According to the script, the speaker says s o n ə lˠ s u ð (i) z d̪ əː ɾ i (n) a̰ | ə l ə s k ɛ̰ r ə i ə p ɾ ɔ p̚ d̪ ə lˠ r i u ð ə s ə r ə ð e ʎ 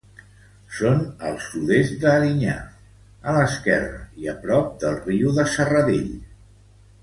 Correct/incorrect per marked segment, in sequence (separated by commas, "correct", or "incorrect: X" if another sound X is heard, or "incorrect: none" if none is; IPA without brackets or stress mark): incorrect: e, incorrect: ɲ